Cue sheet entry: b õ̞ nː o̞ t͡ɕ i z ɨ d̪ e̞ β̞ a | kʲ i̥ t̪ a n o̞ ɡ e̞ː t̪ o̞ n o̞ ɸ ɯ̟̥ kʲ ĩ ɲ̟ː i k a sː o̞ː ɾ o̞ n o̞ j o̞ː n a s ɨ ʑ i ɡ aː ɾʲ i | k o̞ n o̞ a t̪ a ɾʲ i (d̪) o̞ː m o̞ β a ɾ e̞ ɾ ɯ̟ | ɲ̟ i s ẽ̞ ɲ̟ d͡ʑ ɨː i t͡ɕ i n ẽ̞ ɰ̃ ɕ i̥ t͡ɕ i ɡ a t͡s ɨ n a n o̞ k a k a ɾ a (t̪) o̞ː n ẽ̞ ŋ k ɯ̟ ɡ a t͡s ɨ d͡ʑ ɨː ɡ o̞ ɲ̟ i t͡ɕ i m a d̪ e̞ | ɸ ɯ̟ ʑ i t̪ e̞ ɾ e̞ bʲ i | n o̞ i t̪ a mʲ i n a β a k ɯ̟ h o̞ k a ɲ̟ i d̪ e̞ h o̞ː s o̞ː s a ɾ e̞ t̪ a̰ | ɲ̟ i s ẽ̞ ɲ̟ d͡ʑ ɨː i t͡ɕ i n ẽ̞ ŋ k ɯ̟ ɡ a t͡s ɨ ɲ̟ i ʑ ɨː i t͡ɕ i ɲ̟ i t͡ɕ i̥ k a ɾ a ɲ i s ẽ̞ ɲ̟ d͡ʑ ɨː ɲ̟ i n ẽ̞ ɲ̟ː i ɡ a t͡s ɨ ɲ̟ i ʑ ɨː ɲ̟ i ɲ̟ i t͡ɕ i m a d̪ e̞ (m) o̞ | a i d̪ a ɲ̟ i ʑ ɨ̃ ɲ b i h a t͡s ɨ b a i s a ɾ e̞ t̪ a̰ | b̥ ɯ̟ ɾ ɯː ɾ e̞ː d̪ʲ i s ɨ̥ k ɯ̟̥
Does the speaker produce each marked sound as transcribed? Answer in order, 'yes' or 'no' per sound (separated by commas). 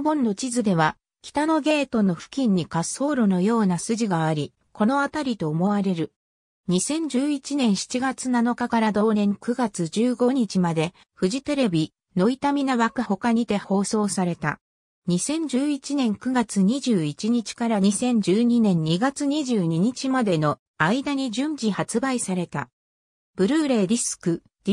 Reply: no, no, no